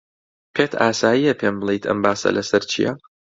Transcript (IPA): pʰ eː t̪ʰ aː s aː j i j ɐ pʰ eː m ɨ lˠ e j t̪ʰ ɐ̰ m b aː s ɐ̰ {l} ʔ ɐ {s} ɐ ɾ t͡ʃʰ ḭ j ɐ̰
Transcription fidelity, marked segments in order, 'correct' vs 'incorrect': correct, correct

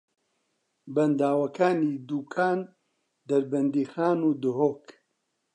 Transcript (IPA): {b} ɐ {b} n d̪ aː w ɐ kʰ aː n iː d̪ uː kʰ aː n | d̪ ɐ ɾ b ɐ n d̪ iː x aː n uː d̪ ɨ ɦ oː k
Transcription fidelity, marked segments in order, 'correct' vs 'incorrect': correct, incorrect: none

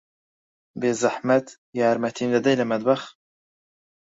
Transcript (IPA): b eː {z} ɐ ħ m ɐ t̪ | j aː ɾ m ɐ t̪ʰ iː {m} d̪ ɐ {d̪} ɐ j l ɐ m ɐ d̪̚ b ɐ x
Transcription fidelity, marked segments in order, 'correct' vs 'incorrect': correct, incorrect: n, correct

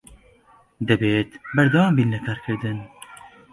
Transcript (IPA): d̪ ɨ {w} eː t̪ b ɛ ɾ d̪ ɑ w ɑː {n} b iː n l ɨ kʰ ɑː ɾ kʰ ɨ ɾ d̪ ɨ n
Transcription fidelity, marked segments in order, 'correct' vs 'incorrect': incorrect: b, incorrect: m

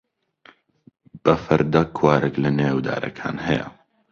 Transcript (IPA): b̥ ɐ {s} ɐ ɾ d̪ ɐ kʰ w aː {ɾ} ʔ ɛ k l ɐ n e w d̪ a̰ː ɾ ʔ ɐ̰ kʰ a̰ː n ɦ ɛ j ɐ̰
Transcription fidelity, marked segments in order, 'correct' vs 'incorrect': incorrect: f, correct

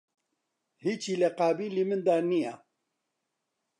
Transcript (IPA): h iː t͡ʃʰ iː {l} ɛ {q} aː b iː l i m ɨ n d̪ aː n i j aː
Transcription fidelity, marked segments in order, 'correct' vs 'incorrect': correct, correct

